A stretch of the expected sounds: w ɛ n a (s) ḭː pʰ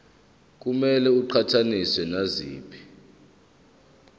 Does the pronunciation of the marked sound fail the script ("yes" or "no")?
yes